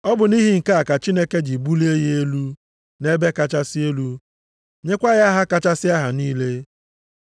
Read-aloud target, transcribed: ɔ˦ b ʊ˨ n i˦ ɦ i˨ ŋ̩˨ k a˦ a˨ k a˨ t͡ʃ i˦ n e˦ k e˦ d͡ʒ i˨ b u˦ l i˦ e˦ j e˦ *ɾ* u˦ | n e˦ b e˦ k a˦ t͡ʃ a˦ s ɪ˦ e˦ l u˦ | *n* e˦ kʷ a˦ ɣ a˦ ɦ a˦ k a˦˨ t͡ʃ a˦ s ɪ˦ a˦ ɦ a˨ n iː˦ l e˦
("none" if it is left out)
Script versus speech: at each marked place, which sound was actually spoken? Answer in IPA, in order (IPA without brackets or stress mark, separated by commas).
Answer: l, ɲ